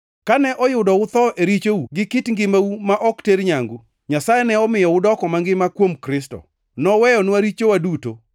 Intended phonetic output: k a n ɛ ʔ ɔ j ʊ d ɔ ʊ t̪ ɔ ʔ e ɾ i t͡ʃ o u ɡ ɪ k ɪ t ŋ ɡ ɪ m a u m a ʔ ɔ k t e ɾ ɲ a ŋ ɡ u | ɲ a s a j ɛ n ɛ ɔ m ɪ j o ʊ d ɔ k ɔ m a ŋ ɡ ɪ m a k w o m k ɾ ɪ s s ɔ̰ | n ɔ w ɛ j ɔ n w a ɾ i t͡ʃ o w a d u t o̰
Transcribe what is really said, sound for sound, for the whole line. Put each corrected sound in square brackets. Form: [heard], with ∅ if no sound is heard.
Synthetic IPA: k a n ɛ ʔ ɔ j ʊ d ɔ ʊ t̪ ɔ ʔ e ɾ i t͡ʃ o u ɡ ɪ k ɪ t ŋ ɡ ɪ m a u m a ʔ ɔ k t e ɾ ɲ a ŋ ɡ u | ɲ a s a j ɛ n ɛ ɔ m ɪ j [ɔ] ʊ d ɔ k ɔ m a ŋ ɡ ɪ m a k w o m k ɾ ɪ s [t] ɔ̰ | n ɔ w ɛ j ɔ n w a ɾ i t͡ʃ o w a d u t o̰